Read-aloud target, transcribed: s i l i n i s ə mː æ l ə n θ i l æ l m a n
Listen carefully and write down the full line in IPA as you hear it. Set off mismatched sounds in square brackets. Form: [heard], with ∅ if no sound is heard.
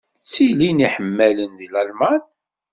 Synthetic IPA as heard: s i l i n i [ħ] ə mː æ l ə n [ð] i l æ l m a n